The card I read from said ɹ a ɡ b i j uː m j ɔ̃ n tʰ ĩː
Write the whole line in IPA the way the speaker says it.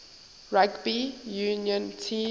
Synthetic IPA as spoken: ɹ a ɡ b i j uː n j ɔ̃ n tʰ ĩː